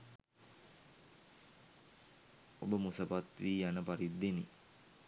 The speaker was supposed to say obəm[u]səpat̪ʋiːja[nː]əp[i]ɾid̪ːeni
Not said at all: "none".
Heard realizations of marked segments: u, n, a

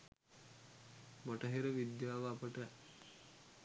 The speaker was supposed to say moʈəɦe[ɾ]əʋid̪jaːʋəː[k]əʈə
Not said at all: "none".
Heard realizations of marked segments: ɾ, p

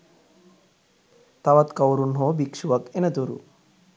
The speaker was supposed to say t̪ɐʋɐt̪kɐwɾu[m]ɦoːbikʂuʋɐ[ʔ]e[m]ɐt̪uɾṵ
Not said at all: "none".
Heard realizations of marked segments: n, k, n

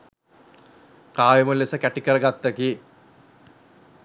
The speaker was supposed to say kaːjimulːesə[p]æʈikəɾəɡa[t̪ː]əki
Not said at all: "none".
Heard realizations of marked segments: k, t̪ː

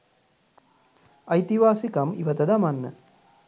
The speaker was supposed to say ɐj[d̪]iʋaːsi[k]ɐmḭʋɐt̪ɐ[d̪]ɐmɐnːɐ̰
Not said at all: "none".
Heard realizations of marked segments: t̪, k, d̪

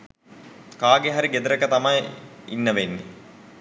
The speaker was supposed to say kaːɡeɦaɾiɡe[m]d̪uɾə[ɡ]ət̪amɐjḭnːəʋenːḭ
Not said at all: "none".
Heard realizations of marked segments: none, k

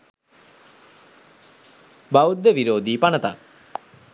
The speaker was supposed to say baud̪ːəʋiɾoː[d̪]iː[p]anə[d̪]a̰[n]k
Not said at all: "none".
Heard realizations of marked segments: d̪, p, t̪, none

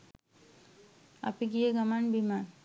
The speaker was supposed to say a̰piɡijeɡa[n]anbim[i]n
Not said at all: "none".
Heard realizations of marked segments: m, a

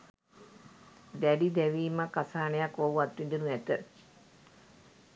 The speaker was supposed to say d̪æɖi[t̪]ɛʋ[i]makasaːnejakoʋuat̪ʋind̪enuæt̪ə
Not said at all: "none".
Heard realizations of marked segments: d̪, iː

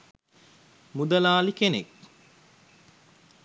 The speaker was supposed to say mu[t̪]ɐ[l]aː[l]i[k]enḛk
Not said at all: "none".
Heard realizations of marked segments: d̪, l, l, k

